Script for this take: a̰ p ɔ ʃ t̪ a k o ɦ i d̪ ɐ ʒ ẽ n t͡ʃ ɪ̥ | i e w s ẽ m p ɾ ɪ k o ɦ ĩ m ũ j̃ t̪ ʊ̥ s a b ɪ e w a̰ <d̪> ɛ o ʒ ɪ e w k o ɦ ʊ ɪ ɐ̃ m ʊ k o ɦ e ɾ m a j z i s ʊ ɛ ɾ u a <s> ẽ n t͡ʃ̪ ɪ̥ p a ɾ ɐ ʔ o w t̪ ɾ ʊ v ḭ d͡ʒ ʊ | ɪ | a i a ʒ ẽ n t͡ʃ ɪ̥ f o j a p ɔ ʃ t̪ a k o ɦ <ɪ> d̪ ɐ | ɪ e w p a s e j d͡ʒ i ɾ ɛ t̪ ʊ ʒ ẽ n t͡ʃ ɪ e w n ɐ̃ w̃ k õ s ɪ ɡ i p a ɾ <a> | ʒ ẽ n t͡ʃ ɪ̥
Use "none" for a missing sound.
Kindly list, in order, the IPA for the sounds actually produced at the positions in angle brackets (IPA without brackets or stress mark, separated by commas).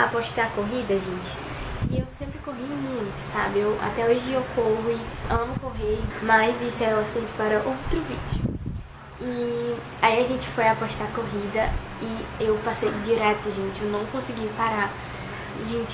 t̪, s, i, a